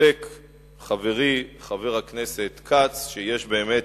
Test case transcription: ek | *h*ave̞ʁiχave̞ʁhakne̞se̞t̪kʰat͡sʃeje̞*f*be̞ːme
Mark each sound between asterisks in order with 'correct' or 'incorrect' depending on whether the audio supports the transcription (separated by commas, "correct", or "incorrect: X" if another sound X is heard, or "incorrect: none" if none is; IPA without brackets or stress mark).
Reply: incorrect: χ, incorrect: ʃ